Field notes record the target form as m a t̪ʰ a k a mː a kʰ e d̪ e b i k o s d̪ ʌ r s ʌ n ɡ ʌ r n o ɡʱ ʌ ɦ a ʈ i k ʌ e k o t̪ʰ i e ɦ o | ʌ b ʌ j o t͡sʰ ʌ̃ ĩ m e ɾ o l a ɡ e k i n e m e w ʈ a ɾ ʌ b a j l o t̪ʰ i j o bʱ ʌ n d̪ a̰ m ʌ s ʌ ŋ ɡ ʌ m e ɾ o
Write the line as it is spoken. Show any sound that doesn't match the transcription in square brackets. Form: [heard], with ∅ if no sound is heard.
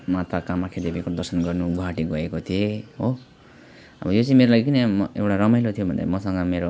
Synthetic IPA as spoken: m a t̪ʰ a k a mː a kʰ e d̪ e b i k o [∅] d̪ ʌ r s ʌ n ɡ ʌ r n [u] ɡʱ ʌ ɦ a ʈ i [ɡ] ʌ e k o t̪ʰ i e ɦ o | ʌ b ʌ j o [t͡s] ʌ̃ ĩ m e ɾ o l a ɡ [i] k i n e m e w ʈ a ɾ ʌ [m] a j l o t̪ʰ i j o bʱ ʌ n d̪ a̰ m ʌ s ʌ ŋ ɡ ʌ m e ɾ o